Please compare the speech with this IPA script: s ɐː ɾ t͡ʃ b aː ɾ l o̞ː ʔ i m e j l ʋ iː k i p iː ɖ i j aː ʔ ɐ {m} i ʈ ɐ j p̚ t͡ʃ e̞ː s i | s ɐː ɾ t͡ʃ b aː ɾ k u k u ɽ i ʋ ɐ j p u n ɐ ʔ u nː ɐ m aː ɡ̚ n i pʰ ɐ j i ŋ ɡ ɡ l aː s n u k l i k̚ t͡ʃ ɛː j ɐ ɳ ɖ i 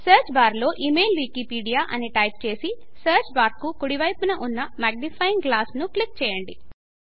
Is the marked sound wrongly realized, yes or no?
yes